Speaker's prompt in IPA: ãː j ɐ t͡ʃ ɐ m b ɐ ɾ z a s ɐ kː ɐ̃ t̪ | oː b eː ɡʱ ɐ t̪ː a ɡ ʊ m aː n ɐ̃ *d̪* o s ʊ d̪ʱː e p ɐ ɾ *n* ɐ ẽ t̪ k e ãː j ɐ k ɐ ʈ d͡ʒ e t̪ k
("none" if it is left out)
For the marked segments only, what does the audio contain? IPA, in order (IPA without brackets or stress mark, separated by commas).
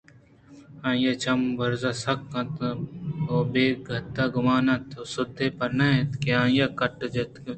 t̪, n